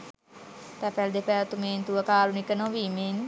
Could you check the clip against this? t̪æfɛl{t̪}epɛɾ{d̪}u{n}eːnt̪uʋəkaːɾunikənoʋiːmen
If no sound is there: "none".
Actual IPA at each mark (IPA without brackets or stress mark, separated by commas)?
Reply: d̪, t̪, m